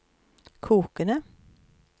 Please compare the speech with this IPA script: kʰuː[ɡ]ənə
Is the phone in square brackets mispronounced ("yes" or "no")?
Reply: yes